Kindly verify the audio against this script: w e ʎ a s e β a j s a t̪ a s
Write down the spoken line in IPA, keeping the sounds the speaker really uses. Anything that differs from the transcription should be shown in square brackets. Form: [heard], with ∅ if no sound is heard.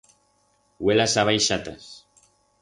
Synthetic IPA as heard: w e [l] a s [a] β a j [ʃ] a t̪ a s

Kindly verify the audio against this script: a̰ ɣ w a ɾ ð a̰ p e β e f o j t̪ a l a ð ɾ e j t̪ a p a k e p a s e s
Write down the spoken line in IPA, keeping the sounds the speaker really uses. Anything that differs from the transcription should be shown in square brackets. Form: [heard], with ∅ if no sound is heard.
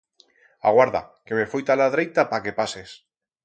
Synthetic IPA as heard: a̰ ɣ w a ɾ ð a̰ [k] e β e f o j t̪ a l a ð ɾ e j t̪ a p a k e p a s e s

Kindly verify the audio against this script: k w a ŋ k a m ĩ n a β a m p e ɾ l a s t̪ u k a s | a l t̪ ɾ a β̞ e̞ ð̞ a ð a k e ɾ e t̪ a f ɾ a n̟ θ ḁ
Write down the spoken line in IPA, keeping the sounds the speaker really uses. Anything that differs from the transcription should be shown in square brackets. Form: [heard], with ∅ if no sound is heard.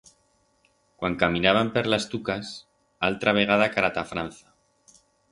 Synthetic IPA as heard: k w a ŋ k a m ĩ n a β a m p e ɾ l a s t̪ u k a s | a l t̪ ɾ a β̞ e̞ [ɣ̞] a ð a k [a] ɾ [a] t̪ a f ɾ a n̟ θ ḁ

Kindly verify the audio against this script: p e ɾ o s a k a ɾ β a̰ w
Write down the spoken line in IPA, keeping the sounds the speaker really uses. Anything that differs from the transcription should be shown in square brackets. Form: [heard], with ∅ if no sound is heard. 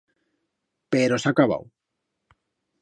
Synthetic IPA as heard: p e ɾ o s a k a [∅] β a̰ w

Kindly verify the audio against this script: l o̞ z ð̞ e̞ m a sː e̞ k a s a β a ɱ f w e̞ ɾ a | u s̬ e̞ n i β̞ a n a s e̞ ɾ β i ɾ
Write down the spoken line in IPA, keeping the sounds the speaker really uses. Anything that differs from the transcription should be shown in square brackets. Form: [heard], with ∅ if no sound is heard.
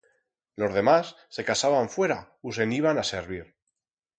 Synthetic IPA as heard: l o̞ z ð̞ e̞ m a sː e̞ k a s a β a ɱ f w e̞ ɾ a | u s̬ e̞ n i β̞ a n a s e̞ ɾ β i ɾ

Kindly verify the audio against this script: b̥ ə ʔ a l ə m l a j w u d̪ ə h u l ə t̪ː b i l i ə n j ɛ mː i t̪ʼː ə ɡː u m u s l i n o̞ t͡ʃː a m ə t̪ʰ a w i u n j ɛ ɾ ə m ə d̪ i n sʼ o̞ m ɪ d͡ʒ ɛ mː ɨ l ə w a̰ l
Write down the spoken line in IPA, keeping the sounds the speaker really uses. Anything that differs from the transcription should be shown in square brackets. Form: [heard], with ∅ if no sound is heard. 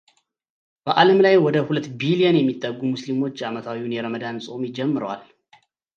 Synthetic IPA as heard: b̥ ə ʔ a l ə m l a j w [ɔ] d̪ ə h u l ə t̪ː b i l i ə n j ɛ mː i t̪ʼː ə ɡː u m u s l i [m] o̞ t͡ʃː a m ə t̪ʰ a w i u n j ɛ ɾ ə m ə d̪ [a] n sʼ o̞ m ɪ d͡ʒ ɛ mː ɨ [ɾ] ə w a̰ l

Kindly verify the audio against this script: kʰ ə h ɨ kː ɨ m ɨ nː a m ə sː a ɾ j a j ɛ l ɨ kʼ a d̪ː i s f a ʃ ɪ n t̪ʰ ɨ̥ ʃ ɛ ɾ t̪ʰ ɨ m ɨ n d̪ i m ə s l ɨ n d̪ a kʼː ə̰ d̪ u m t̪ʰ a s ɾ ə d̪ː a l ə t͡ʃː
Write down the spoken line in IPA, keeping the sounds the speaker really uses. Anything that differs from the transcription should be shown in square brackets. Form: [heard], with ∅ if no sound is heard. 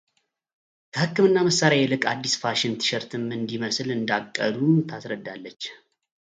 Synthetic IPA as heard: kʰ ə h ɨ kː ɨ m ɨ nː a m ə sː a ɾ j a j ɛ l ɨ kʼ a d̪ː i s f a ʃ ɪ n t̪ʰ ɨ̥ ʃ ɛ ɾ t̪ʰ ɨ m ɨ n d̪ i m ə s l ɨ n d̪ a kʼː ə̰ d̪ u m t̪ʰ a s ɾ ə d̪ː a [lː] ə t͡ʃː

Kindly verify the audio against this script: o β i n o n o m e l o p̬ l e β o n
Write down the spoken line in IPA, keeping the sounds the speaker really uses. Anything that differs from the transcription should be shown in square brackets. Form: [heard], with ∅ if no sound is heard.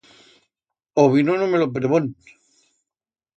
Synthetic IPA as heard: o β i n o n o m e l o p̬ [ɾ] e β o n

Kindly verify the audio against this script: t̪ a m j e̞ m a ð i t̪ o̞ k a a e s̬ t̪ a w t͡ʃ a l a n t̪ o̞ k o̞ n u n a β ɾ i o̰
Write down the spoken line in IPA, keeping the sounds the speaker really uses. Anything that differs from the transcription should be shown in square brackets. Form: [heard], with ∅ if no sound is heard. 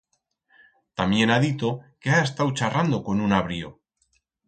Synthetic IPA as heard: t̪ a m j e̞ [n] a ð i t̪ o̞ k [e] a e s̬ t̪ a w t͡ʃ a [r] a n [d̪] o̞ k o̞ n u n a β ɾ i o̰

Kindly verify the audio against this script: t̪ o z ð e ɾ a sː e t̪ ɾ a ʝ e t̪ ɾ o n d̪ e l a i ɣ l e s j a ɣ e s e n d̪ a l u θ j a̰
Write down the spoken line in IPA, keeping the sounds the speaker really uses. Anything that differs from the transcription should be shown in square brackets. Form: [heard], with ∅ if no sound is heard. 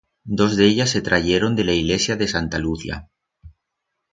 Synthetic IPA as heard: [d̪] o z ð e [ʎ] a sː e t̪ ɾ a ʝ e [∅] ɾ o n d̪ e l a i ɣ l e s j a [ð] e s [a] n [t̪] a l u θ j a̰

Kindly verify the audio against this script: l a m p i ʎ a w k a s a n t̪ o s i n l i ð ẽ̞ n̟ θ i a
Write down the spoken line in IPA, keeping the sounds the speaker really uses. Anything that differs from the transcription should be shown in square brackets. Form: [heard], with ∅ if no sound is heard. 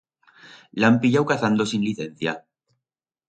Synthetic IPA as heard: l a m p i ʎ a w k a [θ] a n [d̪] o s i n l i [θ] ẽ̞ n̟ θ [j] a

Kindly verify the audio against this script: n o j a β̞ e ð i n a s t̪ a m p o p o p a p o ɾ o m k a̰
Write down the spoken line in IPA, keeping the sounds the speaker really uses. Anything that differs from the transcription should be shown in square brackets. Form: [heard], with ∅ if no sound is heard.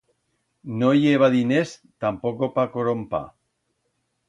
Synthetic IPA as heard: n o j [e] β̞ [a] ð i n [e] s t̪ a m p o [k] o p a [k] o ɾ o m [p] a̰

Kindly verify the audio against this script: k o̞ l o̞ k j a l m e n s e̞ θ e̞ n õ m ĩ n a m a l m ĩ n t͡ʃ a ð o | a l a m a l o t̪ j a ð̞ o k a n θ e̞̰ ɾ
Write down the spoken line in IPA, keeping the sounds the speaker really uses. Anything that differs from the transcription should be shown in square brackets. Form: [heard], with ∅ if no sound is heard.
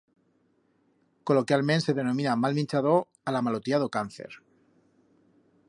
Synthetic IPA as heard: k o̞ l o̞ k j a l m e n s e̞ [ð] e̞ n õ m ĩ n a m a l m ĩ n t͡ʃ a ð o | a l a m a l o t̪ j a ð̞ o k a n θ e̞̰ ɾ

